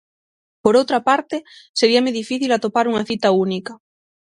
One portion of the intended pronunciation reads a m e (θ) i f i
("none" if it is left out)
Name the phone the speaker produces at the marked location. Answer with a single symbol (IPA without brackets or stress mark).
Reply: ð